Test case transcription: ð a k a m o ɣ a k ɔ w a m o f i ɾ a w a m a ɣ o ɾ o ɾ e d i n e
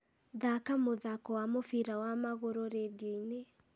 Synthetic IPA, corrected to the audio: ð a k a m o ð a k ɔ w a m o f i ɾ a w a m a ɣ o ɾ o ɾ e d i n e